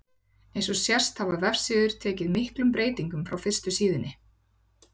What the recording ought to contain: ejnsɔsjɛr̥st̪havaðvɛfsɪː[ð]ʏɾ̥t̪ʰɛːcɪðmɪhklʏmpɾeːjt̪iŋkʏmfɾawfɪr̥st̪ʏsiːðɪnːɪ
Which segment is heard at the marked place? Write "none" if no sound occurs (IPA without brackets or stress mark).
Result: ð